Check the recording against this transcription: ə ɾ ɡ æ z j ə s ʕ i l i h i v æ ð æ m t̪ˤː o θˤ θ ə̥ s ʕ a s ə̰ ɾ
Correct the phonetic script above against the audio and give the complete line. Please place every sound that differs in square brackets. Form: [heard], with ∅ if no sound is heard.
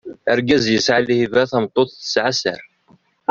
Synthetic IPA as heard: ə ɾ ɡ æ z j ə s ʕ [a] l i h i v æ [θ] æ m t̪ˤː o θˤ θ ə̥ s ʕ a s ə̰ ɾ